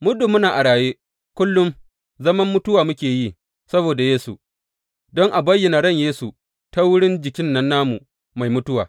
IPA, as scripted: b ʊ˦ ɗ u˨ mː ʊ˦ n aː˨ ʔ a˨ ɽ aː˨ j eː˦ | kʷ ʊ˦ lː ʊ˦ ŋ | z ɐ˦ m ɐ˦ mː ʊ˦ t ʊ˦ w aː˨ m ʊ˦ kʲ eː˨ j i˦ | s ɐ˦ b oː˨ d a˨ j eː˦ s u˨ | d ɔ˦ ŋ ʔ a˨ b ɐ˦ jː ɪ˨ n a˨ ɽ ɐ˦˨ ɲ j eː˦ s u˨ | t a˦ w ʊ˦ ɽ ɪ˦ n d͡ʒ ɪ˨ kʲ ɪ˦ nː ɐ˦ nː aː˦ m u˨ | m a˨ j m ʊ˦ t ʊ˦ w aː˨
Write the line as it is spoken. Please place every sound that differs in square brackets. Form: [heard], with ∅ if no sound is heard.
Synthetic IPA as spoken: [m] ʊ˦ [d] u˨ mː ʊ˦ n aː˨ ʔ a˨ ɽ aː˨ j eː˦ | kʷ ʊ˦ lː ʊ˦ [m] | z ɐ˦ m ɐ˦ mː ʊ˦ t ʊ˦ w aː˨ m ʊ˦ kʲ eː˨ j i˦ | s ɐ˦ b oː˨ d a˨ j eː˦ s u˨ | d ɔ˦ ŋ ʔ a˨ b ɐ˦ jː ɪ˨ n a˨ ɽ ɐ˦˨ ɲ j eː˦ s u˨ | t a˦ w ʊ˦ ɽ ɪ˦ n d͡ʒ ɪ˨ kʲ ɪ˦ nː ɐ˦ nː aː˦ m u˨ | m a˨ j m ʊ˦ t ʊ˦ w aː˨

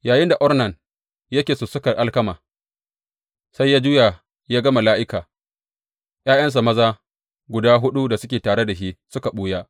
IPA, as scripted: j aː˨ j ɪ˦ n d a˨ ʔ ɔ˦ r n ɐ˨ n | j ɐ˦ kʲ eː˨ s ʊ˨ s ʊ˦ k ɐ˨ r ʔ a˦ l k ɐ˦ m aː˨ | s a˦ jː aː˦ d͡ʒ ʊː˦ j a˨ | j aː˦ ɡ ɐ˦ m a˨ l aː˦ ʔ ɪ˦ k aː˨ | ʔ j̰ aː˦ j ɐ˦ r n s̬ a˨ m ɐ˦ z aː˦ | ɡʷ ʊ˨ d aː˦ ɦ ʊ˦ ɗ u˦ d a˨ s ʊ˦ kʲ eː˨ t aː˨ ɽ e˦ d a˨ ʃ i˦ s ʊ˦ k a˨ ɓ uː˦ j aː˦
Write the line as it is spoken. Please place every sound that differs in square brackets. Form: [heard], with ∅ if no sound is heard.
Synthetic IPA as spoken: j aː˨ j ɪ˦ n d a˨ ʔ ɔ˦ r n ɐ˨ n | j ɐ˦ kʲ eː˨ s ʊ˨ s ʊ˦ k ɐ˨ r ʔ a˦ l k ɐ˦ m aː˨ | s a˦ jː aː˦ d͡ʒ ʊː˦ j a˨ | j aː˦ ɡ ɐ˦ m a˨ l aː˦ ʔ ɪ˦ k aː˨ | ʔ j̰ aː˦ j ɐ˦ [∅] n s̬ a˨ m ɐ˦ z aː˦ | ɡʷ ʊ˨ d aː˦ ɦ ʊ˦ ɗ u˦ d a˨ s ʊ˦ kʲ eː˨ t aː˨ ɽ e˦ d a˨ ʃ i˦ s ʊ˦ k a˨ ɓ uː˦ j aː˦

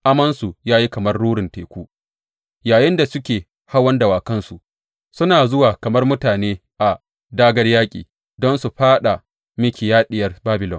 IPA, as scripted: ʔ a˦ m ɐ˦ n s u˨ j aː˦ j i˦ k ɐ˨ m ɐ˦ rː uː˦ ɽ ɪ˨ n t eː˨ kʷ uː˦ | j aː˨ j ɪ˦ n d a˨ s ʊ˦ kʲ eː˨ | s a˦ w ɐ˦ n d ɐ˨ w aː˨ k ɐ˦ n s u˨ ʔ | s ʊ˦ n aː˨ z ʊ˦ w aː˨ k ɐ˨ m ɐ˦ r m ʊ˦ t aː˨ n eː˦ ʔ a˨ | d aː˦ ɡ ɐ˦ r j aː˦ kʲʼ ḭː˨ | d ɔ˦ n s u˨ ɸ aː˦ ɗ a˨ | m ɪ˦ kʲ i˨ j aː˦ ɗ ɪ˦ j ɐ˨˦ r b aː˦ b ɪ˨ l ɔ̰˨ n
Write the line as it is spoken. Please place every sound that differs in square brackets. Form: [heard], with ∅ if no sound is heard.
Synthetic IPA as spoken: ʔ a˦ m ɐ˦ n s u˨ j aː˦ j i˦ k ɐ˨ m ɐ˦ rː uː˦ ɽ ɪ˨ n t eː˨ kʷ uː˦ | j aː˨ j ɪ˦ n d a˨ s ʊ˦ kʲ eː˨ | [h] a˦ w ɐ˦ n d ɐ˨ w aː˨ k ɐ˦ n s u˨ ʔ | s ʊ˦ n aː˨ z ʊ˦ w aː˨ k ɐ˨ m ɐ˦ r m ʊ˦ t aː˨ n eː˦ ʔ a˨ | d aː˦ ɡ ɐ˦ r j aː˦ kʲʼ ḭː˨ | d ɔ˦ n s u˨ ɸ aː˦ ɗ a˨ | m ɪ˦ kʲ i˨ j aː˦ ɗ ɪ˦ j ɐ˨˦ r b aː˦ b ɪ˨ l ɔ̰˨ n

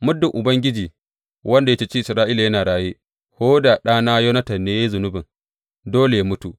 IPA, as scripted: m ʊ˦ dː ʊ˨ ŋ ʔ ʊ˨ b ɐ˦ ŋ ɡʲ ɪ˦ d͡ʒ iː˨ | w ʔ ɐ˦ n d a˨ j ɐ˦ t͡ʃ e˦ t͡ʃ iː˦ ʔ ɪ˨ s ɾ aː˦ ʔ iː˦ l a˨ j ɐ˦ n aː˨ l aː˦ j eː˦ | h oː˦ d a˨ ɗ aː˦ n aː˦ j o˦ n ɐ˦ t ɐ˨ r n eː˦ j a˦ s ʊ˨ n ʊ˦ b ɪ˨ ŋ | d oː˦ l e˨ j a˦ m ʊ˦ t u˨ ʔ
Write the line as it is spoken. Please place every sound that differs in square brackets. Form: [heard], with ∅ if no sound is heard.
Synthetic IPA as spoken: m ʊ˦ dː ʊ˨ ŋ ʔ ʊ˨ b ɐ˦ ŋ ɡʲ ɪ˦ d͡ʒ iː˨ | w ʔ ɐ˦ n d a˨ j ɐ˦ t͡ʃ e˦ t͡ʃ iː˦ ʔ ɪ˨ s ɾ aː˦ ʔ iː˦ l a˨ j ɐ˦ n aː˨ [ɽ] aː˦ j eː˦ | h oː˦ d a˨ ɗ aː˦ n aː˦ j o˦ n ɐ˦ t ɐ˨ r n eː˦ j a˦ [z] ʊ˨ n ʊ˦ b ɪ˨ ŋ | d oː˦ l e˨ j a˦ m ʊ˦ t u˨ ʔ

